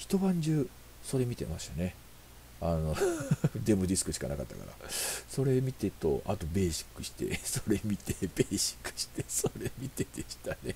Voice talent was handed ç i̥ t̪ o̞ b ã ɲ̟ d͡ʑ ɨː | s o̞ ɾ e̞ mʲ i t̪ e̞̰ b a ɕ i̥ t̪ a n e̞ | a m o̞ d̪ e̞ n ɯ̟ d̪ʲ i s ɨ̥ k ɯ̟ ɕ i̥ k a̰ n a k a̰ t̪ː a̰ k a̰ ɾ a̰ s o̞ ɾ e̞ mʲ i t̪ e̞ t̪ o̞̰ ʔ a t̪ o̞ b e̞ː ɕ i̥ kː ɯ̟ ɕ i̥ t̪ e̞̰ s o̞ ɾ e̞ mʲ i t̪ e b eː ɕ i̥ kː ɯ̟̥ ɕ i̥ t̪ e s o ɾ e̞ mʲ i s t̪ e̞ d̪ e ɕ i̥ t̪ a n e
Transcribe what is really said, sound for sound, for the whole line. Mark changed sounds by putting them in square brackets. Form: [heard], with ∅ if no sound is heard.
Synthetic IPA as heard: ç i̥ t̪ o̞ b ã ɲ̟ d͡ʑ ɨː | s o̞ ɾ e̞ mʲ i t̪ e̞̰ [m] a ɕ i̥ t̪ a n e̞ | a [n] o̞ d̪ e̞ [m] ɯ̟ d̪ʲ i s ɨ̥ k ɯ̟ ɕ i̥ k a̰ n a k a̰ t̪ː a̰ k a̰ ɾ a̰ s o̞ ɾ e̞ mʲ i t̪ e̞ t̪ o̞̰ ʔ a t̪ o̞ b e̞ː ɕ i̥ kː ɯ̟ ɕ i̥ t̪ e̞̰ s o̞ ɾ e̞ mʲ i t̪ e b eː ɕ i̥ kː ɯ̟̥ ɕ i̥ t̪ e s o ɾ e̞ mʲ i [∅] t̪ e̞ d̪ e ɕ i̥ t̪ a n e